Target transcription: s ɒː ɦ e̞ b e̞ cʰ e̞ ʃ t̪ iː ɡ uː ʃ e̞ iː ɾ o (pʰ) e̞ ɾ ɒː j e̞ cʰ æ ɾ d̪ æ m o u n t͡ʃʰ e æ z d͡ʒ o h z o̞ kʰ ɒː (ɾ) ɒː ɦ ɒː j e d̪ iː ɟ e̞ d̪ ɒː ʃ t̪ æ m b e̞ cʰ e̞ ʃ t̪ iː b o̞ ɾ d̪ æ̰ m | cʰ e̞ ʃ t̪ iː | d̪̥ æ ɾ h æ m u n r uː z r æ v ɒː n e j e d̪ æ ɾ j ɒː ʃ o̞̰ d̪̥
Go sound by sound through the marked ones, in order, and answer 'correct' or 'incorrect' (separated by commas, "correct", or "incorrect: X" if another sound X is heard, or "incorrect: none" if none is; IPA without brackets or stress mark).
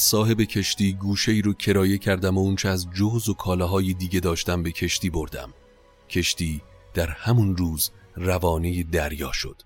incorrect: cʰ, incorrect: l